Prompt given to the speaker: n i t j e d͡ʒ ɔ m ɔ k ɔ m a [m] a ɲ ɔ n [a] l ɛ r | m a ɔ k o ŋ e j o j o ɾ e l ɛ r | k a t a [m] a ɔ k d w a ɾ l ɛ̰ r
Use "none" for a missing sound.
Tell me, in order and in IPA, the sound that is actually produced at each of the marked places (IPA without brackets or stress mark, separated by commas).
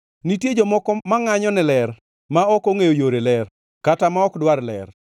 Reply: ŋ, ɛ, m